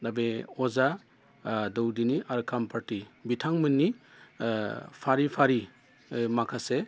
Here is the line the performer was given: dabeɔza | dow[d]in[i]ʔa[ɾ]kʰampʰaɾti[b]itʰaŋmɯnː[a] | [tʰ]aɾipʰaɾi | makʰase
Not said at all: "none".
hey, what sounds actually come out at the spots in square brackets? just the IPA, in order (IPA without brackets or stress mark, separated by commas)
d, i, ɾ, b, i, pʰ